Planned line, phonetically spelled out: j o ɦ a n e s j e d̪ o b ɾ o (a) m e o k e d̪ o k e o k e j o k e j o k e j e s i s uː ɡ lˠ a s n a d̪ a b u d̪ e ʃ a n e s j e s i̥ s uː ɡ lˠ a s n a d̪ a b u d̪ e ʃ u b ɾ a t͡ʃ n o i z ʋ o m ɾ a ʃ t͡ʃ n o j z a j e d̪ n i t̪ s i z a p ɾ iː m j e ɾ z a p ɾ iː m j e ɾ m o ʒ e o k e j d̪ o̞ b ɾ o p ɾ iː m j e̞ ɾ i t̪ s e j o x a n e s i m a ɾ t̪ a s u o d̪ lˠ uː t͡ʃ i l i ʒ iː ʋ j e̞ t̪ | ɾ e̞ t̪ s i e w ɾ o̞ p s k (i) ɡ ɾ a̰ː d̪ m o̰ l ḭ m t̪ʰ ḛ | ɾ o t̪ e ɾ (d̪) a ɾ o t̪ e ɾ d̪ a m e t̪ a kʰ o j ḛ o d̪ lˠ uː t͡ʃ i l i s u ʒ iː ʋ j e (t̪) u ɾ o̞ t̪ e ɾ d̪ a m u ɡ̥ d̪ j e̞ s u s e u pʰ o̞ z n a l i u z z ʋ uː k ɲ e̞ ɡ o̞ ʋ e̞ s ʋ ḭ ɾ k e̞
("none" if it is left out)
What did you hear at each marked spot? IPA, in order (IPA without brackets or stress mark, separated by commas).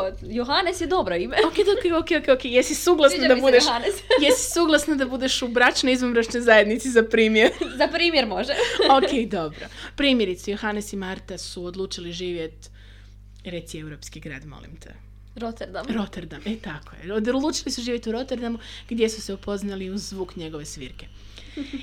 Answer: i, i, d̪, t̪